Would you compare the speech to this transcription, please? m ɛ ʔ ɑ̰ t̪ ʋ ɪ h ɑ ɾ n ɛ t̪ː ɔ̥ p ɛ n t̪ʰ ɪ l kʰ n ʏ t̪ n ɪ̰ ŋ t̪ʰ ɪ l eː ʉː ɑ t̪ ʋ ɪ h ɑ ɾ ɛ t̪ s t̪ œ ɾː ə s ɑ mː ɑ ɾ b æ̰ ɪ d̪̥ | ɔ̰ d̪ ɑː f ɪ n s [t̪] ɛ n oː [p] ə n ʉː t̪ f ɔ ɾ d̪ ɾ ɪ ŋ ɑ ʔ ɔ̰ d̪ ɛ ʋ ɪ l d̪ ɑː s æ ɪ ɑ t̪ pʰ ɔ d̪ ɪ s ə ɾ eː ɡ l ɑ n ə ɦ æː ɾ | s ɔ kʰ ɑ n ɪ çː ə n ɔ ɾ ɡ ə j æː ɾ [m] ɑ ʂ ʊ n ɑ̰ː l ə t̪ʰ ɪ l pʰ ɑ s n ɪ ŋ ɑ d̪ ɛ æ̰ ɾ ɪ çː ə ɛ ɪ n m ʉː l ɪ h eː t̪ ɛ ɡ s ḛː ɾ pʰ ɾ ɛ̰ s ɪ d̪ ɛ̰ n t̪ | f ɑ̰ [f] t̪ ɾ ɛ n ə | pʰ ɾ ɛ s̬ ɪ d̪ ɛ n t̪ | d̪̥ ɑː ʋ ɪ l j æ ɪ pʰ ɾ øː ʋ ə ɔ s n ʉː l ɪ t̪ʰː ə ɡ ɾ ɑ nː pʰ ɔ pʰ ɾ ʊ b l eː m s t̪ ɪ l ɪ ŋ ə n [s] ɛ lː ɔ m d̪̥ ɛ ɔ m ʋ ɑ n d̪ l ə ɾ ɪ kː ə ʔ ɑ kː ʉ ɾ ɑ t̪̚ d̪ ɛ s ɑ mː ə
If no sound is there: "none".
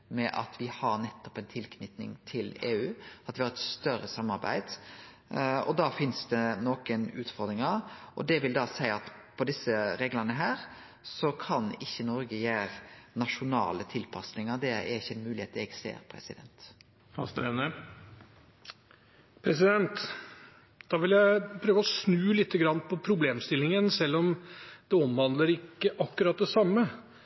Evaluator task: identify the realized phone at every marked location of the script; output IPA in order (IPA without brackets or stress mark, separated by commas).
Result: d̪, k, n, s, s